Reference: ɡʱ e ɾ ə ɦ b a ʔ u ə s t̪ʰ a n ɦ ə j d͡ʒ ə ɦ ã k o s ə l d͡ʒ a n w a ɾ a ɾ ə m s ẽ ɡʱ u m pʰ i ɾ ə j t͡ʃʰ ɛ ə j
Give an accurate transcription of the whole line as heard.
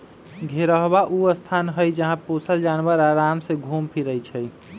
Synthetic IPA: ɡʱ e ɾ ə ɦ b a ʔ u ə s t̪ʰ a n ɦ ə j d͡ʒ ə ɦ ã p o s ə l d͡ʒ a n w ə ɾ a ɾ a m s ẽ ɡʱ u m pʰ i ɾ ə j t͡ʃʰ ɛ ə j